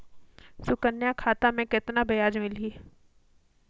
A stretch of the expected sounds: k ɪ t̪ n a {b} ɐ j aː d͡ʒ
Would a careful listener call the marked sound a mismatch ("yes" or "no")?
no